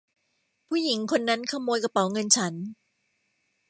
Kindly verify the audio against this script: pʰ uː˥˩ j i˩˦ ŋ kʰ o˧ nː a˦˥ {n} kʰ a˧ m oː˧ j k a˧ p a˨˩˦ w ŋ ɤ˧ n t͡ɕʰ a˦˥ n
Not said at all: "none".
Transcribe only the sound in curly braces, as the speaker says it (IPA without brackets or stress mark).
n